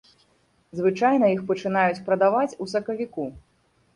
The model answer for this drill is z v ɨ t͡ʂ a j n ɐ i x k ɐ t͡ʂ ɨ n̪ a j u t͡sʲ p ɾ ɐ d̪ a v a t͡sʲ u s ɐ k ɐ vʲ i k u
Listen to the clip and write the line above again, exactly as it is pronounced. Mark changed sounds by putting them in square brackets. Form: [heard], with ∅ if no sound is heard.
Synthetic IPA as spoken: z v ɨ t͡ʂ a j n ɐ i x [p] ɐ t͡ʂ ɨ n̪ a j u t͡sʲ p ɾ ɐ d̪ a v a t͡sʲ u s ɐ k ɐ vʲ i k u